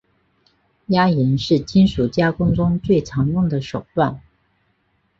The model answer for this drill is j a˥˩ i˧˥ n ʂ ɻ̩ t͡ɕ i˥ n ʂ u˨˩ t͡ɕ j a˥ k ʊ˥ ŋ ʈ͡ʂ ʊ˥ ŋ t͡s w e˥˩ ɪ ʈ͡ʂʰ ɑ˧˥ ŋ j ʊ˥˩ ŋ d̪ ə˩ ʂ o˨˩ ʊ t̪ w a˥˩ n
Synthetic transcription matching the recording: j a˥ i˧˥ n ʂ ɻ̩ t͡ɕ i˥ n ʂ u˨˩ t͡ɕ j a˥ k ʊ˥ ŋ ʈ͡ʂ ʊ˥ ŋ t͡s w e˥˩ ɪ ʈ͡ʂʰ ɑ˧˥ ŋ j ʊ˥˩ ŋ d̪ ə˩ ʂ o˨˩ ʊ t̪ w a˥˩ n